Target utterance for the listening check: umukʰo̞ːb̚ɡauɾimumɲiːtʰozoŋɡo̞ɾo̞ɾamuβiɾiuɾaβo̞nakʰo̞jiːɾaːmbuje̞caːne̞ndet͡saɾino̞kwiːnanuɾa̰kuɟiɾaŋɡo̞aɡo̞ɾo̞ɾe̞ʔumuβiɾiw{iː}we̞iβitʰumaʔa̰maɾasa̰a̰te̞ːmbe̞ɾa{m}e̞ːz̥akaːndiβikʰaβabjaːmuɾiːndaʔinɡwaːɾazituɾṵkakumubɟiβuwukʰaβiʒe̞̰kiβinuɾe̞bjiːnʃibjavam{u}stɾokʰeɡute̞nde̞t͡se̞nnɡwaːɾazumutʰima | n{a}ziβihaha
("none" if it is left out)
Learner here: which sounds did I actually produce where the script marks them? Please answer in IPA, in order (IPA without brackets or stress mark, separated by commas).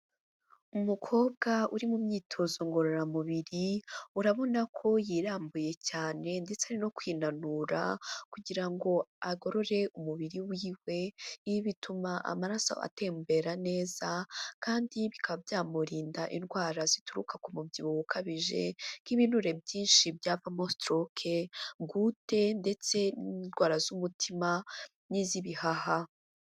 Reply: iː, n, o, i